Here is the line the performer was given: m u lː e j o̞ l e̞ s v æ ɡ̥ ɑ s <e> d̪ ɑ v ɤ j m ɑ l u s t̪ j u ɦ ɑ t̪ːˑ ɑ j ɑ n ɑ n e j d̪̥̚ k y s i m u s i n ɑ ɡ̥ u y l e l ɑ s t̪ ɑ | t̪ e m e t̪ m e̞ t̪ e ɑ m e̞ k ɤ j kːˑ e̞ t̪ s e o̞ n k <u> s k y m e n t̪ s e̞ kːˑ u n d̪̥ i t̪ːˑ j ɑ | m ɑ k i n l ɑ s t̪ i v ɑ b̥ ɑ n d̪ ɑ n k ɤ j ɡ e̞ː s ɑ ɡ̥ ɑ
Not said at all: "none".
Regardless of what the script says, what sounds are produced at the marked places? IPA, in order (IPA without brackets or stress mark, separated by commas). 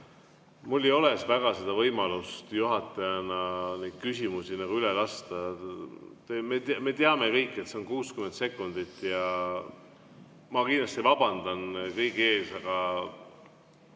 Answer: e, uː